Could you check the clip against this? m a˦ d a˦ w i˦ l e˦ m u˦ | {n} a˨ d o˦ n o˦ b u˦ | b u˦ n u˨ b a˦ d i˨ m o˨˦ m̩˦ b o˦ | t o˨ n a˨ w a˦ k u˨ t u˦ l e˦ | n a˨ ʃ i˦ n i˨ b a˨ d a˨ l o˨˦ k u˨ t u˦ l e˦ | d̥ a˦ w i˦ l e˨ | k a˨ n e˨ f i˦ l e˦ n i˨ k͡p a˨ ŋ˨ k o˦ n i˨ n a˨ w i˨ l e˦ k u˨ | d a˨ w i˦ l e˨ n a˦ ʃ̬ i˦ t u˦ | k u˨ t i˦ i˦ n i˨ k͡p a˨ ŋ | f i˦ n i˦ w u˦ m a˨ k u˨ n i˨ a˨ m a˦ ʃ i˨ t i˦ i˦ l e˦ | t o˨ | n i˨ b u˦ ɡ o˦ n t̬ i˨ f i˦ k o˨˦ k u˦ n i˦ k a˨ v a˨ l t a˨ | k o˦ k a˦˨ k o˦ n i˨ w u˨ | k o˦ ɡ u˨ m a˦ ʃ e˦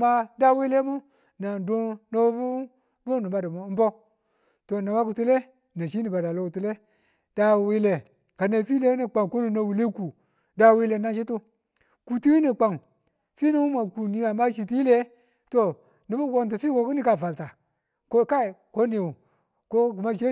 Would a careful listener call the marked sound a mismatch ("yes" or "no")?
no